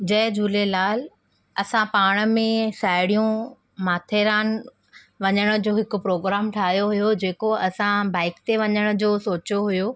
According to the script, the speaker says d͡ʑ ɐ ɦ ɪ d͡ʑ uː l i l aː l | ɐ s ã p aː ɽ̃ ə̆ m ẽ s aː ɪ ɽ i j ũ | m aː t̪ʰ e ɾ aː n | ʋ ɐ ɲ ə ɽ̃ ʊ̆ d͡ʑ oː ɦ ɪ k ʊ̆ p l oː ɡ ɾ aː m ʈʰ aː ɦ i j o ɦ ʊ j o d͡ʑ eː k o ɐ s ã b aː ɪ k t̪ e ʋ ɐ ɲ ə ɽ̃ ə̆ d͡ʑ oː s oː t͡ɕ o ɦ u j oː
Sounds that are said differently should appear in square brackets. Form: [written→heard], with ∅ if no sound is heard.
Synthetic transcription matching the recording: d͡ʑ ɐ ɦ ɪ d͡ʑ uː l [i→e] l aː l | ɐ s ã p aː ɽ̃ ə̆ m ẽ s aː ɪ ɽ i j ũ | m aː t̪ʰ e ɾ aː n | ʋ ɐ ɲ ə ɽ̃ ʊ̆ d͡ʑ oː ɦ ɪ k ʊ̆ p [l→ɾ] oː ɡ ɾ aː m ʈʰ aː ɦ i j o ɦ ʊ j o d͡ʑ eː k o ɐ s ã b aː ɪ k t̪ e ʋ ɐ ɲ ə ɽ̃ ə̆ d͡ʑ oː s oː t͡ɕ o ɦ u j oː